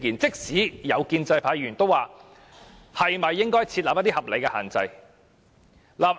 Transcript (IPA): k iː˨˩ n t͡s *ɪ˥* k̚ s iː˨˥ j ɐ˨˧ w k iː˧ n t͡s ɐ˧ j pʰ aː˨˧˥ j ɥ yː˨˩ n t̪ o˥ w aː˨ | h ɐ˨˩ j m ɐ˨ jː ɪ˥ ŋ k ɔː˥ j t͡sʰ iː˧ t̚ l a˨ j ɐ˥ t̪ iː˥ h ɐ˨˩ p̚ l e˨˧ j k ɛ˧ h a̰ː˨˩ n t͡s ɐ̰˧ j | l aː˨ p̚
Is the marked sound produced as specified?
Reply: yes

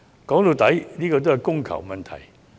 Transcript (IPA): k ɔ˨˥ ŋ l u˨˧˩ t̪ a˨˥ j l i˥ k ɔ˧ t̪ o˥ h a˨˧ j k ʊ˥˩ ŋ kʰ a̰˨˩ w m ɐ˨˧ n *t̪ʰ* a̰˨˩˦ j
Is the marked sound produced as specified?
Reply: yes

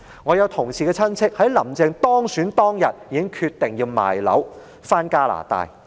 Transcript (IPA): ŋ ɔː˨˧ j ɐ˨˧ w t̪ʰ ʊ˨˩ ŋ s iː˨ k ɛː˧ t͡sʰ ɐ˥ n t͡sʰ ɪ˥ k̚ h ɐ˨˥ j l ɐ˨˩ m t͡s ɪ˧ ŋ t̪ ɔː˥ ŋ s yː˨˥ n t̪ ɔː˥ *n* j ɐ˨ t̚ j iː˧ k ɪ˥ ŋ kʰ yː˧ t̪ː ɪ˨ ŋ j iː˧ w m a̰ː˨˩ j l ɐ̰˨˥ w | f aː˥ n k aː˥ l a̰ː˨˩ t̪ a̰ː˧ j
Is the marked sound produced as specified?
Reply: no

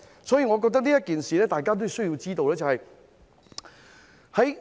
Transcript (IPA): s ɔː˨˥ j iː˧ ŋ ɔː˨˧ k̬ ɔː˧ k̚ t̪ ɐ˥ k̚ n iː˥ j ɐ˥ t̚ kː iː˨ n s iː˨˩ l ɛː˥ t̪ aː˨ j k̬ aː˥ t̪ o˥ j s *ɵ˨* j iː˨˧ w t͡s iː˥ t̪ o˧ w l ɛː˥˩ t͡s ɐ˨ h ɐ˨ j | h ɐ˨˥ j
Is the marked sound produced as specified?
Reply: no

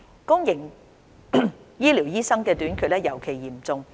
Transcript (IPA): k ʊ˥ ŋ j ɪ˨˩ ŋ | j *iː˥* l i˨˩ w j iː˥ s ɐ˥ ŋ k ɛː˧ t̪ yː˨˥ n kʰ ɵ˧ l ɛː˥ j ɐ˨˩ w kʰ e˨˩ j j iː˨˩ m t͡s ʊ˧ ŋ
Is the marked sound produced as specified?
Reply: yes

